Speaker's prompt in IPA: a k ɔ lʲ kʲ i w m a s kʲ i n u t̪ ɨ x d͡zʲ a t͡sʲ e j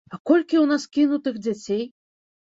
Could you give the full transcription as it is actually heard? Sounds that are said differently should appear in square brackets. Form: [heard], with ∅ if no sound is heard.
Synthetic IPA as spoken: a k ɔ lʲ kʲ i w [n] a s kʲ i n u t̪ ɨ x d͡zʲ a t͡sʲ e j